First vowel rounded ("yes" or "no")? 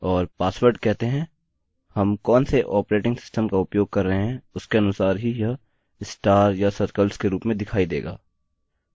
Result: yes